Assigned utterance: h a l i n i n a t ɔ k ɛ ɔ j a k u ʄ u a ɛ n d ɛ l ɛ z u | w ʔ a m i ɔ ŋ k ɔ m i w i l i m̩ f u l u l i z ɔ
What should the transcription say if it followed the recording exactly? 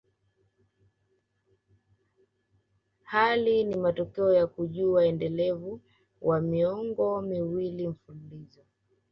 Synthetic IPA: h a l i n i m a t ɔ k ɛ ɔ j a k u ʄ u a ɛ n d ɛ l ɛ v u | w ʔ a m i ɔ ŋ ɡ ɔ m i w i l i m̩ f u l u l i z ɔ